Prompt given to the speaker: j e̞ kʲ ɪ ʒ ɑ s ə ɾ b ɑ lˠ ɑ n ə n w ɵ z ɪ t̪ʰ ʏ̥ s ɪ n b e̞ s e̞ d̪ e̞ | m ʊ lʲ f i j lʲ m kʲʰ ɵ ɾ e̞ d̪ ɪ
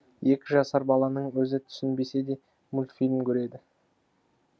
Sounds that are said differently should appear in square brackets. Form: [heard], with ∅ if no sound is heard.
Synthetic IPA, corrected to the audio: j e̞ kʲ ɪ ʒ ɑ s [ɑ] ɾ b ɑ lˠ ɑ n ə [ɴ] w ɵ z ɪ t̪ʰ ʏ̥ s ɪ n b e̞ s e̞ d̪ e̞ | m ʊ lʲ f i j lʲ m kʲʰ ɵ ɾ e̞ d̪ ɪ